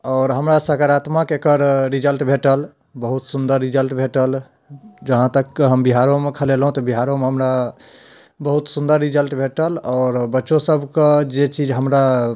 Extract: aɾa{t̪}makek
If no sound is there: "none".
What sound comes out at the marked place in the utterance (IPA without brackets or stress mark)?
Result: t̪